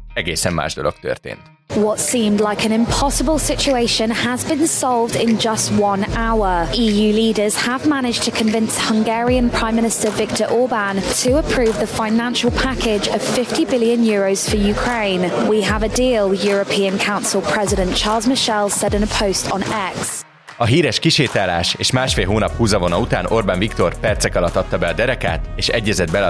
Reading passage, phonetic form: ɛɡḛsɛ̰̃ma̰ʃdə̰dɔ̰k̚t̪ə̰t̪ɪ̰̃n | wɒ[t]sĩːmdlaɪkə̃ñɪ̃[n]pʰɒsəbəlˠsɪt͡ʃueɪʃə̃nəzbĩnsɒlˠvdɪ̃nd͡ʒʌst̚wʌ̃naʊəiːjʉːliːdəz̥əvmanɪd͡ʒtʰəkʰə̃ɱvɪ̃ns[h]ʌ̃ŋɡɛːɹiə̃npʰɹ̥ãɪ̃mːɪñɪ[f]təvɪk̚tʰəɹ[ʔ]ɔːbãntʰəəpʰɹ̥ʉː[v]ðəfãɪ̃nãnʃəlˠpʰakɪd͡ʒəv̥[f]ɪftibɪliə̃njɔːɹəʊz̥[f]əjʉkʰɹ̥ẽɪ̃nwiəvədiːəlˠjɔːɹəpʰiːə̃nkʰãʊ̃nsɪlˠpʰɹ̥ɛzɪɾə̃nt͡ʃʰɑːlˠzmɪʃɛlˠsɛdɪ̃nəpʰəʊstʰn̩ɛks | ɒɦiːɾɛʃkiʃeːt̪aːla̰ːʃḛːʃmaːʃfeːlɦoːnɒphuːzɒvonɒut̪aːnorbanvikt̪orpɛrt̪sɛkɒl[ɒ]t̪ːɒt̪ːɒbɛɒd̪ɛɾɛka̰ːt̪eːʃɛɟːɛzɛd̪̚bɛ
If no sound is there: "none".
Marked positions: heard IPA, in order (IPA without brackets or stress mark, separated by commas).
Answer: t, m, h, s, ʔ, v, f, f, ɒ